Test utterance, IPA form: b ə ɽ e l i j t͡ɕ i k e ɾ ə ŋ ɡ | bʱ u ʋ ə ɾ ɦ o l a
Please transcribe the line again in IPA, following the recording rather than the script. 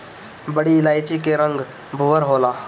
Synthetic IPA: b ə ɽ i l a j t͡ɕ i k e ɾ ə ŋ ɡ | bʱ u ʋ ə ɾ ɦ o l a